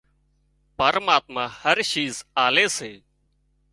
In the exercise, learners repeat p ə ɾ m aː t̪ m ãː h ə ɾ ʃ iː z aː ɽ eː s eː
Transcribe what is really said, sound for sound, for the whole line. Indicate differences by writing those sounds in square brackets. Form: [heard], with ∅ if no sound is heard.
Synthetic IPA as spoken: p ə ɾ m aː t̪ m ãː h ə ɾ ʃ iː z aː [l] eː s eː